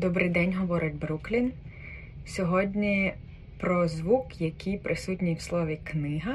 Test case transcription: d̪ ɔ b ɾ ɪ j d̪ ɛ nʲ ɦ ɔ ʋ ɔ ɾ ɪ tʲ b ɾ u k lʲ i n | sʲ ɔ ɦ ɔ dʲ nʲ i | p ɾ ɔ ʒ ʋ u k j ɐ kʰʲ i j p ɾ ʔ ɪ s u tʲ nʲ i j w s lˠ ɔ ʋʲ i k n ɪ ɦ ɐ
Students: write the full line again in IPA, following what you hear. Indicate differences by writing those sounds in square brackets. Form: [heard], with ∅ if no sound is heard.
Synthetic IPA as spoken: d̪ ɔ b ɾ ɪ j d̪ ɛ nʲ ɦ ɔ ʋ ɔ ɾ ɪ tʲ b ɾ u k lʲ i n | sʲ ɔ ɦ ɔ dʲ nʲ i | p ɾ ɔ [z] ʋ u k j ɐ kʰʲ i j p ɾ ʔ ɪ s u tʲ nʲ i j w s lˠ ɔ ʋʲ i k n ɪ ɦ ɐ